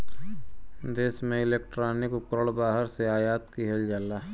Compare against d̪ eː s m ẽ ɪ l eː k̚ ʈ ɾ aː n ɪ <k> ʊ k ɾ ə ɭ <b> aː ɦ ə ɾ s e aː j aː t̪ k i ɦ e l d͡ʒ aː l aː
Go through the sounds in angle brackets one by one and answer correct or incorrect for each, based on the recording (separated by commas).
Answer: correct, correct